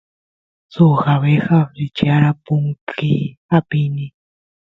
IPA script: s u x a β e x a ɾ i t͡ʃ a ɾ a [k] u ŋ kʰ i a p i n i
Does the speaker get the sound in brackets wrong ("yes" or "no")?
yes